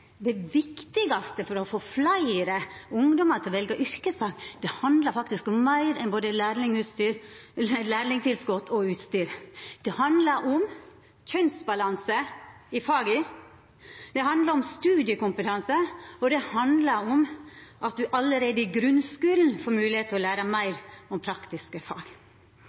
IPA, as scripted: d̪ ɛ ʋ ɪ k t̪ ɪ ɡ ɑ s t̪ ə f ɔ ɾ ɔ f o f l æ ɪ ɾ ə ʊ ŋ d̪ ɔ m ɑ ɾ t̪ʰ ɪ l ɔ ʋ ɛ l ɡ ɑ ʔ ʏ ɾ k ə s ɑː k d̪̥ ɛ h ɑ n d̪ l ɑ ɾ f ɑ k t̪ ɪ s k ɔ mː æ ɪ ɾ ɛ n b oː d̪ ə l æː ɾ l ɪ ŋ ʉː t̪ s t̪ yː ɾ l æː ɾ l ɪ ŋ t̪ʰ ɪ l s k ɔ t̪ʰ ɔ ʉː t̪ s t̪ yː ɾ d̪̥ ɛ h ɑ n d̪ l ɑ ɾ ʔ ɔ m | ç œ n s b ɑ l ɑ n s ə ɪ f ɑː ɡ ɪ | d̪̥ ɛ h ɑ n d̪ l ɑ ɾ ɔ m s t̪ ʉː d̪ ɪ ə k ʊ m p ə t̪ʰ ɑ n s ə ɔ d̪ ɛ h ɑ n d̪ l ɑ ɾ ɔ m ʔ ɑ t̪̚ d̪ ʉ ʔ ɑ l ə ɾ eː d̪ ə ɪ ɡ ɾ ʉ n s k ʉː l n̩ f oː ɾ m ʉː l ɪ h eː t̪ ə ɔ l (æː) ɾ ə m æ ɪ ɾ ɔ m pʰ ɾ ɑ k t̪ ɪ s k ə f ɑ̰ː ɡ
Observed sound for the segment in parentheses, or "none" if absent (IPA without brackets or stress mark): æː